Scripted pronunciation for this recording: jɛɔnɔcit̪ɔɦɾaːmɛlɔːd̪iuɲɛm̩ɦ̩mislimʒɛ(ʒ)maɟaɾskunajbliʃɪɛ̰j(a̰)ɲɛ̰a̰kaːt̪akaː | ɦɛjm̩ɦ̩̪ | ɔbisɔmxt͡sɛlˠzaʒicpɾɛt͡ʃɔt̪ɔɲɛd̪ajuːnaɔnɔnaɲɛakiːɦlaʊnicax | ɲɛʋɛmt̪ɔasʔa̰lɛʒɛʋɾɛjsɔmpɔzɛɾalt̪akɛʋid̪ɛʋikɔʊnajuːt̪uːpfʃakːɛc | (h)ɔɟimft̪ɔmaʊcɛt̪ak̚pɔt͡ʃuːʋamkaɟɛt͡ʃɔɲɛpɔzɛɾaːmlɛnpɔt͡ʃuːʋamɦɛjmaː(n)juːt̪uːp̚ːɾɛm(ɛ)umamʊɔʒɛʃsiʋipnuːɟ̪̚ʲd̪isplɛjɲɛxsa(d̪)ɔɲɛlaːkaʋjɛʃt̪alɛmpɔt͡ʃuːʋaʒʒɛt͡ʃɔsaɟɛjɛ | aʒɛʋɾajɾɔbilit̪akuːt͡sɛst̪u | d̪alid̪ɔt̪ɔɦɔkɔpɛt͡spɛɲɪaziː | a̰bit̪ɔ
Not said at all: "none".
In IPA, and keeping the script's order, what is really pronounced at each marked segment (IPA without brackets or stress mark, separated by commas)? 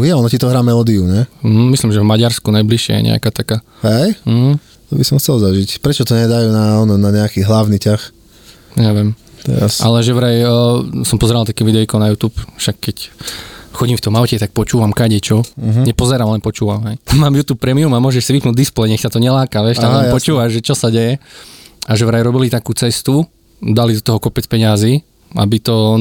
v, ɛ̰, x, m, i, t̪